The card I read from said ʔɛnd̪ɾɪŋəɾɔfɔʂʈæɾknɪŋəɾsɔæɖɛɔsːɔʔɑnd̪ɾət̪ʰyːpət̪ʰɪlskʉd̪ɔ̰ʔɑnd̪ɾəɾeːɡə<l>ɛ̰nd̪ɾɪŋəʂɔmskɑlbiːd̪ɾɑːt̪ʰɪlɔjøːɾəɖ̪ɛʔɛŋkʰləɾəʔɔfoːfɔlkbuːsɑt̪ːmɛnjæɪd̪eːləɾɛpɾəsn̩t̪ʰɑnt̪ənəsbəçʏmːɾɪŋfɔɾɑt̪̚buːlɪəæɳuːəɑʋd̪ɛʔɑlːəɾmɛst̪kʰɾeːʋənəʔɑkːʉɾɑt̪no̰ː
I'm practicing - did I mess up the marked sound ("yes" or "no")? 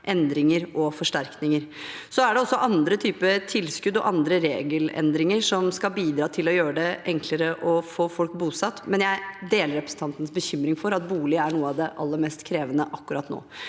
no